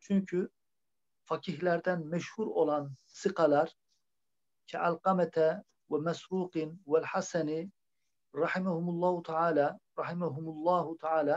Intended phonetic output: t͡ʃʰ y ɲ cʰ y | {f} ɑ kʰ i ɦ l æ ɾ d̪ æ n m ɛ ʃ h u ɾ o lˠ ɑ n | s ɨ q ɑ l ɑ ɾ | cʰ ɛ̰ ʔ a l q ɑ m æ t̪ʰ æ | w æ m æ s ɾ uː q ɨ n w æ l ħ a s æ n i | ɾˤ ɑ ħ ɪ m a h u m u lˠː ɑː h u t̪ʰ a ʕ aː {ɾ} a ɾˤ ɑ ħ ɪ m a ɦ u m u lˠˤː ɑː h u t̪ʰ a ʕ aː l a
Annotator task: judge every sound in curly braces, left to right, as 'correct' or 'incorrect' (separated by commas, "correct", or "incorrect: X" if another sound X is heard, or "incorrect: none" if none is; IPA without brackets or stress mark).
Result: correct, incorrect: l